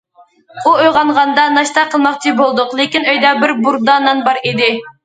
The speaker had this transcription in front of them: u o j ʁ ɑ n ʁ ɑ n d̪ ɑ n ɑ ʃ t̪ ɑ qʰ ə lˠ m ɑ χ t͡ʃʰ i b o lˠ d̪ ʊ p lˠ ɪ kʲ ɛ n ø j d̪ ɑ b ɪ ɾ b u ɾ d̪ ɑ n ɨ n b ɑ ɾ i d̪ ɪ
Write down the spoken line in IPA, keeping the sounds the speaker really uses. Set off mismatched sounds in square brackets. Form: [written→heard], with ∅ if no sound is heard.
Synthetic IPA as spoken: u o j ʁ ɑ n ʁ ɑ n d̪ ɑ n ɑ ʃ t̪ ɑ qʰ ə lˠ m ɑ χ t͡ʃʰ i b o lˠ d̪ ʊ [p→q] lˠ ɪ kʲ [ɛ→i] n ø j d̪ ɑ b ɪ ɾ b u ɾ d̪ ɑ n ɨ n b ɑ ɾ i d̪ ɪ